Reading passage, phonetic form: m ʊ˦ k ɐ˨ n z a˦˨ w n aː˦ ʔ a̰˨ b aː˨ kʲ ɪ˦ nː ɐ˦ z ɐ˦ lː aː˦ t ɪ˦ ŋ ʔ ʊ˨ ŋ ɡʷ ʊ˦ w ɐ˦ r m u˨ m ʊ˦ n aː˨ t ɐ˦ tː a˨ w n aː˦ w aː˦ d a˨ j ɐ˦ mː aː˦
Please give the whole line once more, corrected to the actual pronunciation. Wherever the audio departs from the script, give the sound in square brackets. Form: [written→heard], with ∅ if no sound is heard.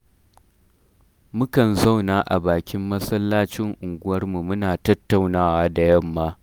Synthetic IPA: m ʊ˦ k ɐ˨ n z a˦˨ w n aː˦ ʔ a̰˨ b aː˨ kʲ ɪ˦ [nː→mː] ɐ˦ [z→s] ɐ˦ lː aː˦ [t→t͡ʃ] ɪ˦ ŋ ʔ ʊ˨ ŋ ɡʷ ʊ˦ w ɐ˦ r m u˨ m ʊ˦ n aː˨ t ɐ˦ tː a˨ w n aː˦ w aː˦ d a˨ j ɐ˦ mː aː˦